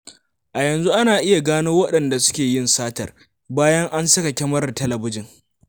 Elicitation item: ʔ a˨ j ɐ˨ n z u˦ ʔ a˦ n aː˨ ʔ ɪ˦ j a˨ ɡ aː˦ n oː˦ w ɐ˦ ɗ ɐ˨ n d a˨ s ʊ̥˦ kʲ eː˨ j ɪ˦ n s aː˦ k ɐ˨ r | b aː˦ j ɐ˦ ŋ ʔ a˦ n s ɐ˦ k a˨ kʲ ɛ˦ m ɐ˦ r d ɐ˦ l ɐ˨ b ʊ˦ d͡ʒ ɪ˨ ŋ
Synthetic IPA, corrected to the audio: ʔ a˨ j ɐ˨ n z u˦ ʔ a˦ n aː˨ ʔ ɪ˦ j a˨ ɡ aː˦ n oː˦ w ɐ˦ ɗ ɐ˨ n d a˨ s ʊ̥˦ kʲ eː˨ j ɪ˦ n s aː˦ t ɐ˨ r | b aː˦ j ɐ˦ ŋ ʔ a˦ n s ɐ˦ k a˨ kʲ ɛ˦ m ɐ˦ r t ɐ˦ l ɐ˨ b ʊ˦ d͡ʒ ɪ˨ ŋ